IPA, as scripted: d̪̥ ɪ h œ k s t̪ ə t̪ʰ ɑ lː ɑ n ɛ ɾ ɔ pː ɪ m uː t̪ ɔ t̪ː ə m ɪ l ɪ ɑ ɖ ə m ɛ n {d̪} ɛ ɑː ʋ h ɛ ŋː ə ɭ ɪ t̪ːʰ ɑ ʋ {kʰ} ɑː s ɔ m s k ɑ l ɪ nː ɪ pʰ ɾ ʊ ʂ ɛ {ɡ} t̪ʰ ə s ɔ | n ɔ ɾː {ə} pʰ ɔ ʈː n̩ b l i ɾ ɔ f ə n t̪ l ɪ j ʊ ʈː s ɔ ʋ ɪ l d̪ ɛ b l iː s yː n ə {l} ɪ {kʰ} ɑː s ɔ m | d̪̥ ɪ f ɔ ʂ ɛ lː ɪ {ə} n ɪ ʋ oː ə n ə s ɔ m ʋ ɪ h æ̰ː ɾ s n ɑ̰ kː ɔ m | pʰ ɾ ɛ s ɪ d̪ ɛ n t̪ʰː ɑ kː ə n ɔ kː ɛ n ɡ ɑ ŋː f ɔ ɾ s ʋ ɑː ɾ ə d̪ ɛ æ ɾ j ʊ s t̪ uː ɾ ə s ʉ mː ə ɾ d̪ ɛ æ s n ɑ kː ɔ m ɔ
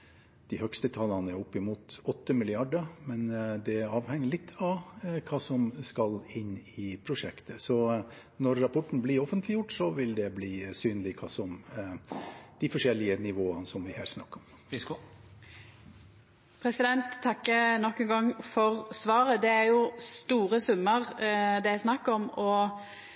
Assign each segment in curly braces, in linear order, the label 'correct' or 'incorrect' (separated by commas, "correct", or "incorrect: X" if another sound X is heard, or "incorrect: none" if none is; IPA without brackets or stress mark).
correct, correct, incorrect: k, incorrect: ɑ, correct, correct, correct